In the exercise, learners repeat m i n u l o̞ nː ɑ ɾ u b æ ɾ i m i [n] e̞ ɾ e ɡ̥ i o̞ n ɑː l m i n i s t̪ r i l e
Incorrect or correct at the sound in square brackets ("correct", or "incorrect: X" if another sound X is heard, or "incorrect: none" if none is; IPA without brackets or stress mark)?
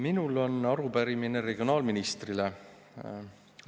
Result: correct